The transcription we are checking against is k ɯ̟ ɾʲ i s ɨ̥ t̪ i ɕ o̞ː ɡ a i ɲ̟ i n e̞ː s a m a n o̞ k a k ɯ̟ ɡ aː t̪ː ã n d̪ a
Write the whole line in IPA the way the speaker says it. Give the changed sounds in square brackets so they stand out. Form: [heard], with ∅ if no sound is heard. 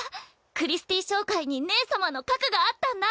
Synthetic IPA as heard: k ɯ̟ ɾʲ i s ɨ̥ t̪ i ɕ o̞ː [k] a i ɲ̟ i n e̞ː s a m a n o̞ k a k ɯ̟ ɡ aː t̪ː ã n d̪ a